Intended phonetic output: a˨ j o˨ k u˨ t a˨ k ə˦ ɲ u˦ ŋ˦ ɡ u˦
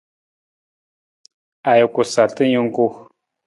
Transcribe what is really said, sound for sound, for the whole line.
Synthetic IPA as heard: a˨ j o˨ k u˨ s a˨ t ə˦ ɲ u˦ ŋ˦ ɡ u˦